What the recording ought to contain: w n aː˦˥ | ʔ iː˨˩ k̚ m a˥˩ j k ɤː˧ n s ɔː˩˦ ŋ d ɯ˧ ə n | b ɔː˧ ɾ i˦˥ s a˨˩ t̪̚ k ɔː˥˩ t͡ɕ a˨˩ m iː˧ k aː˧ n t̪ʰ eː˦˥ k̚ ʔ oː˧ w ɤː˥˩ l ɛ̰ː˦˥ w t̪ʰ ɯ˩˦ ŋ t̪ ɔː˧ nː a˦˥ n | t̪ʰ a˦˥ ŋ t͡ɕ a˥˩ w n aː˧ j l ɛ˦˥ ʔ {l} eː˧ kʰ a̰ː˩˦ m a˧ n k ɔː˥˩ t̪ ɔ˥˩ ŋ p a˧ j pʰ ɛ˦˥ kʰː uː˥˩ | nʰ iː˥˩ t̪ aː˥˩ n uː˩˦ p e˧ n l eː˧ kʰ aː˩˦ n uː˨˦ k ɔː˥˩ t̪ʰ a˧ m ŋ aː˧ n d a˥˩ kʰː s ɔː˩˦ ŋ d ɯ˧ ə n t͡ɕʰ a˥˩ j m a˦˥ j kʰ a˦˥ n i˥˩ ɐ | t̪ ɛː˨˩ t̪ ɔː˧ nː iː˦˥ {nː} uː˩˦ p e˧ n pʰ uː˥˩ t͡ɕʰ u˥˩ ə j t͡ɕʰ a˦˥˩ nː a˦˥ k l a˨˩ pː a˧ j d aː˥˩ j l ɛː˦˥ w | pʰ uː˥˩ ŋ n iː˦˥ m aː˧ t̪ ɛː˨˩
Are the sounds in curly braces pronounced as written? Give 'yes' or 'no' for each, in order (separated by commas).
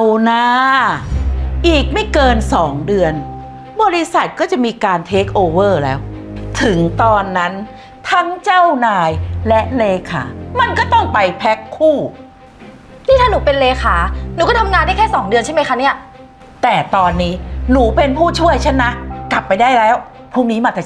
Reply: yes, no